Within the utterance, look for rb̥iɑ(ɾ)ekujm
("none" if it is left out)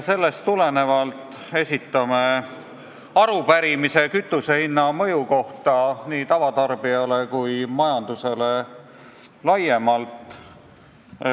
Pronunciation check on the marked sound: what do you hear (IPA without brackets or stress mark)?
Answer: l